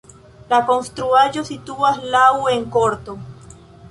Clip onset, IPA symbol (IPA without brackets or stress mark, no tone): l